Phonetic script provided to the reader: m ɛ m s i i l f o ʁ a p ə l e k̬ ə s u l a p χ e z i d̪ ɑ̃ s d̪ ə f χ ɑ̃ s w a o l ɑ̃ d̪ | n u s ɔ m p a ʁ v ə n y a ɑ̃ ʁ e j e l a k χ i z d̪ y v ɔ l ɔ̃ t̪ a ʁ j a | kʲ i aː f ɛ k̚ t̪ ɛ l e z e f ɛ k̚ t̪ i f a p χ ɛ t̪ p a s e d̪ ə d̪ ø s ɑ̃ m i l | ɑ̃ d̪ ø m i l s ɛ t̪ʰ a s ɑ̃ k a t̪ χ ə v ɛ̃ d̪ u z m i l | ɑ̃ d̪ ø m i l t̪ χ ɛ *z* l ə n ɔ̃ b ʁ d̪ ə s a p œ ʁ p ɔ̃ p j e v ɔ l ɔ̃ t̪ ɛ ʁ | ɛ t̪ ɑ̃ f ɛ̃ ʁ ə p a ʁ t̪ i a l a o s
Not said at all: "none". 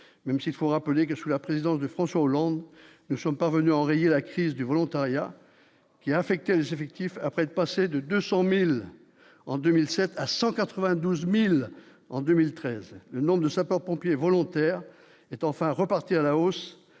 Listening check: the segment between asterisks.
z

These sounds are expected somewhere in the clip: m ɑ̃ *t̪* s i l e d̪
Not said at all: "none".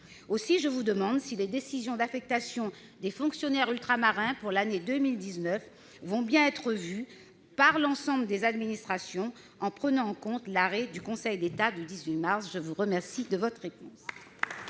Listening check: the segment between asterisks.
d̪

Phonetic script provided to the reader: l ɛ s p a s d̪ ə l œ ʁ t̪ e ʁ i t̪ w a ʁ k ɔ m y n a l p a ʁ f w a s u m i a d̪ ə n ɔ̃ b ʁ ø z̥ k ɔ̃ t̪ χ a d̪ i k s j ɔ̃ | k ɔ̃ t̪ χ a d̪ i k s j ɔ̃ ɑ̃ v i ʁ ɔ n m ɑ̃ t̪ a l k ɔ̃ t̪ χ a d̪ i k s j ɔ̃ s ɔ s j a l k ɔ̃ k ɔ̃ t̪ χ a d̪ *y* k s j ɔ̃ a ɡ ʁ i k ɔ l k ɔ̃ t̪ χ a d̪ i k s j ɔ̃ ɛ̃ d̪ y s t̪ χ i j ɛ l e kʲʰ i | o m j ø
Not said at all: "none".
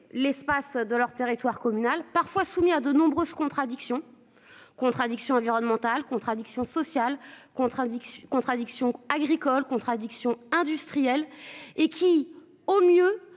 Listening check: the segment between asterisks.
i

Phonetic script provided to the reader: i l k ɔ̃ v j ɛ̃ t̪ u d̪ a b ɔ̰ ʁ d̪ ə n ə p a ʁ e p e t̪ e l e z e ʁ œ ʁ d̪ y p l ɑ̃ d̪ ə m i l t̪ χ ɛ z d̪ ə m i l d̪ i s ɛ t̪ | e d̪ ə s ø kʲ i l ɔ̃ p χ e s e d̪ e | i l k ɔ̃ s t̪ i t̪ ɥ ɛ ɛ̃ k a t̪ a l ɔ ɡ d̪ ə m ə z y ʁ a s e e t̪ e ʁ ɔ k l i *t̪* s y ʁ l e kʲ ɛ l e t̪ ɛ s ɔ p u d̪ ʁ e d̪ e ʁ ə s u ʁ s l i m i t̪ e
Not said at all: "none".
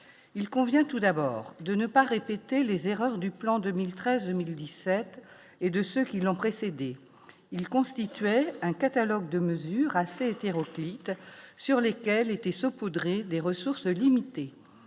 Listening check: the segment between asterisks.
t̪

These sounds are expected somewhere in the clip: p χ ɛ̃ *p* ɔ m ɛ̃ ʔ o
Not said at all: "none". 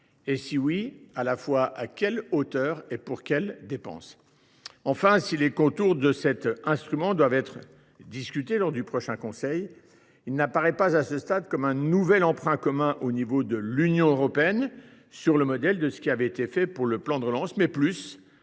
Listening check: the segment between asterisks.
k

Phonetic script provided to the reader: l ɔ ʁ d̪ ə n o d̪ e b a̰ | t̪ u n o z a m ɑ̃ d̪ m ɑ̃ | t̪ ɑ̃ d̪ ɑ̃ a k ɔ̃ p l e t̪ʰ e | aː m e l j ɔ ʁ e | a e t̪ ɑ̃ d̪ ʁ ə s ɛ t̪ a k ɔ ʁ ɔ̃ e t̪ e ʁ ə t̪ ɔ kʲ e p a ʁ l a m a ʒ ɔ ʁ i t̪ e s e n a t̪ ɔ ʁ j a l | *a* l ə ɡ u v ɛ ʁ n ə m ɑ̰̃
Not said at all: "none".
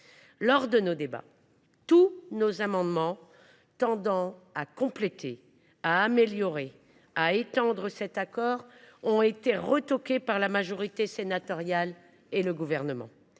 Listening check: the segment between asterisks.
e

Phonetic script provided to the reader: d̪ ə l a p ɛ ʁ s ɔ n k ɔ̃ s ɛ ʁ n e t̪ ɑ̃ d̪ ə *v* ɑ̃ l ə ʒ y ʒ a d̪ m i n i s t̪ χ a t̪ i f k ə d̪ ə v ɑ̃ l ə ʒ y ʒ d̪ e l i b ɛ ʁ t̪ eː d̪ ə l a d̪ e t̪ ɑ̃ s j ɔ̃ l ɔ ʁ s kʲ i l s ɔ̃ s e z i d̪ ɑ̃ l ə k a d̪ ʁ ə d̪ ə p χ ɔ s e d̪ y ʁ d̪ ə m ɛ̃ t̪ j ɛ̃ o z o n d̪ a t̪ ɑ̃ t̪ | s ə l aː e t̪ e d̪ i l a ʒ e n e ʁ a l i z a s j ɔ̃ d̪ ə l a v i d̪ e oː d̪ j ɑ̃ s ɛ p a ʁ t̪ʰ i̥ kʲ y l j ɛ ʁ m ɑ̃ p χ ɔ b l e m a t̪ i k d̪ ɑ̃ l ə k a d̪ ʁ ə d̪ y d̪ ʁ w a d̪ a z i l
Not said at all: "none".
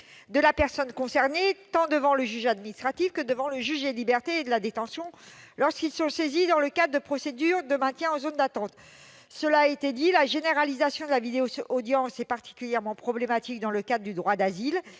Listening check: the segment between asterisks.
v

